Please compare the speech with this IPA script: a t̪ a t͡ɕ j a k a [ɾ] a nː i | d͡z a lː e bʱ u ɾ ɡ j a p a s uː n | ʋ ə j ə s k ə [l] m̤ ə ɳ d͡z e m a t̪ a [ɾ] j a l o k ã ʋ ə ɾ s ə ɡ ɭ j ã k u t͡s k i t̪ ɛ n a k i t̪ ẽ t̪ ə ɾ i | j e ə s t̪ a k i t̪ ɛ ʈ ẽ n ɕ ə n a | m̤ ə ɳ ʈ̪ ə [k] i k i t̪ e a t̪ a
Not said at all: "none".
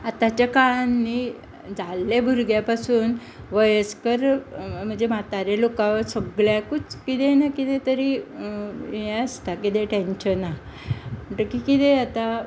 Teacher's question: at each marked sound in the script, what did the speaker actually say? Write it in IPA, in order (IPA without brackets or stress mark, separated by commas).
ɭ, ɾ, ɾ, k